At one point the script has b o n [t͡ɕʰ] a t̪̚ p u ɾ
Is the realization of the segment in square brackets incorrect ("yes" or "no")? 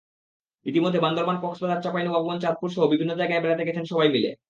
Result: yes